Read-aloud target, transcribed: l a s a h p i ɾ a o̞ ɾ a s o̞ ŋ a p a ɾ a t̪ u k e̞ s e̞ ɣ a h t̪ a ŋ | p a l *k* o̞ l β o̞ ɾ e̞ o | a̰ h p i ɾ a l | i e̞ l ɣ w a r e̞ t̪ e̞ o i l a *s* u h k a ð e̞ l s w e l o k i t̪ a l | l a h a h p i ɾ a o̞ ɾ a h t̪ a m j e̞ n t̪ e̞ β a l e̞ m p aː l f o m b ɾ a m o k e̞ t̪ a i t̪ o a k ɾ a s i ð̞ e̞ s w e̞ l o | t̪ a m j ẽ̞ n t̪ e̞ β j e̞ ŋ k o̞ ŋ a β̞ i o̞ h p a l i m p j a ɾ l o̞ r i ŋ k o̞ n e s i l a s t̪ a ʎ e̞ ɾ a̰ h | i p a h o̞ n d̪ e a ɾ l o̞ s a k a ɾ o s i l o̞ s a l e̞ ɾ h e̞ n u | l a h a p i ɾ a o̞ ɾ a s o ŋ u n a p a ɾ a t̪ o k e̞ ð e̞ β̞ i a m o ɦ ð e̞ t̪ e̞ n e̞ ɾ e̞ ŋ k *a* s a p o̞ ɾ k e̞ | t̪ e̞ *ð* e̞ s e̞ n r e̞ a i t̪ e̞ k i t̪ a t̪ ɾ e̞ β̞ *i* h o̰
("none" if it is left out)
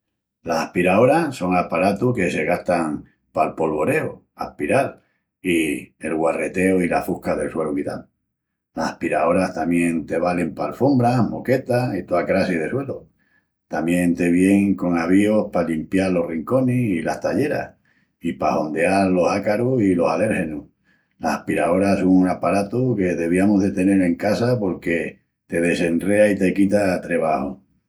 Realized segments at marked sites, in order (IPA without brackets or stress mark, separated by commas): p, f, a, ð, a